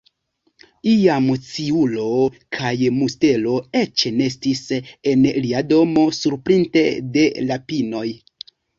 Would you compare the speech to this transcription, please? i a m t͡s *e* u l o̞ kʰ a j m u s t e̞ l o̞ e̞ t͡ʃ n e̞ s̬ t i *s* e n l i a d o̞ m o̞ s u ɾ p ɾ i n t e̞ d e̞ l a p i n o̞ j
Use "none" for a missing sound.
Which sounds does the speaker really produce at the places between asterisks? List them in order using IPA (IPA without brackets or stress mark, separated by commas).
i, s